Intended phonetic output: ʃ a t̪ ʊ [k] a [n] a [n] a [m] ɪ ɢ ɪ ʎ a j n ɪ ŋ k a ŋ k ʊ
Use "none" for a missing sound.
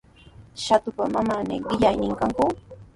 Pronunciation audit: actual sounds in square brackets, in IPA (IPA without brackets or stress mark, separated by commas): p, m, m, n